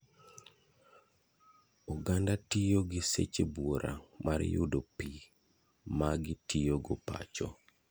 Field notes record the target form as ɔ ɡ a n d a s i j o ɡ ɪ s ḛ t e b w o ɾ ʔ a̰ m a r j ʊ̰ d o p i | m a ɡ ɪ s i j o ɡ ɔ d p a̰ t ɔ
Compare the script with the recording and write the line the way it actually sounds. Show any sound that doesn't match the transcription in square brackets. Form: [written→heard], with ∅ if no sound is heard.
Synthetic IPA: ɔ ɡ a n d a [s→t] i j o ɡ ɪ s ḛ [t→t͡ʃ] e b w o ɾ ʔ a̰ m a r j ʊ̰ d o p i | m a ɡ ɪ [s→t] i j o ɡ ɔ [d→∅] p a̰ [t→t͡ʃ] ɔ